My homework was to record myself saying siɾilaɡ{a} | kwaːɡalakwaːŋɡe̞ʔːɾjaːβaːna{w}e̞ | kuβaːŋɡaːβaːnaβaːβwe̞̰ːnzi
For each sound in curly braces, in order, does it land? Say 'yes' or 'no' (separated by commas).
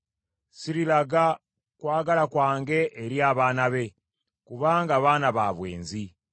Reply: yes, no